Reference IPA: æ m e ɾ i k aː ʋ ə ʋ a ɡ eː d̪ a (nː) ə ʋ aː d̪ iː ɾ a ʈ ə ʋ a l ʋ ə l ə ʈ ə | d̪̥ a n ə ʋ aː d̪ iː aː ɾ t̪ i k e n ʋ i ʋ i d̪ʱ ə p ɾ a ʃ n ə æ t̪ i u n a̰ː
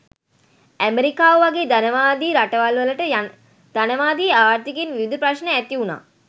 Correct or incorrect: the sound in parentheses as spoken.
incorrect: n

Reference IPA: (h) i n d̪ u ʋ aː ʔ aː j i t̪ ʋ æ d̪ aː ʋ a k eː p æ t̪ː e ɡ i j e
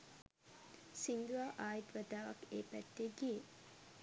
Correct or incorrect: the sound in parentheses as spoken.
incorrect: s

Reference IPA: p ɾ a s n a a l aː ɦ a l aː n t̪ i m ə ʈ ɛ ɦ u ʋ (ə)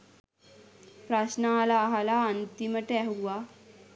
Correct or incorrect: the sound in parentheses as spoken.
incorrect: a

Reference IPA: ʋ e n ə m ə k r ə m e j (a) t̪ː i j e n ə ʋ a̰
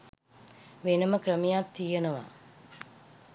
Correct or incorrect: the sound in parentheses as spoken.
correct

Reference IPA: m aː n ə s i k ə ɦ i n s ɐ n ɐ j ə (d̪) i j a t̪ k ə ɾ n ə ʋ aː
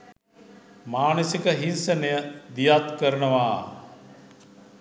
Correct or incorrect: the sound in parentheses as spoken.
correct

